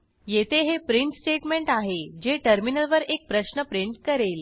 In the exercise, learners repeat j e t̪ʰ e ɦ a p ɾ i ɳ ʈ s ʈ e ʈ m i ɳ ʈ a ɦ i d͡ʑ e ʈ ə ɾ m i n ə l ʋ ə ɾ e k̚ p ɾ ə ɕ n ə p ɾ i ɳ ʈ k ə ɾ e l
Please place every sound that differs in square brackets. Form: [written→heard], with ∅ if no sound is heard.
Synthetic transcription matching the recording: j e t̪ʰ e ɦ [a→e] p ɾ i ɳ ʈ s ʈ e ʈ m [i→e] ɳ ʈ a ɦ [i→e] d͡ʑ e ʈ ə ɾ m i n ə l ʋ ə ɾ e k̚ p ɾ ə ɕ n ə p ɾ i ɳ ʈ k ə ɾ e l